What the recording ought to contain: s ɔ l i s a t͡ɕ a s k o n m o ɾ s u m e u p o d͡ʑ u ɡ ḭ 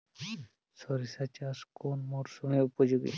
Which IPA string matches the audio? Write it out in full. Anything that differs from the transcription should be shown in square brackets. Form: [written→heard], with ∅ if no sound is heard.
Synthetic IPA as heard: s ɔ [l→ɾ] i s a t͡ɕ a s k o n m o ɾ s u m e u p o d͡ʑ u ɡ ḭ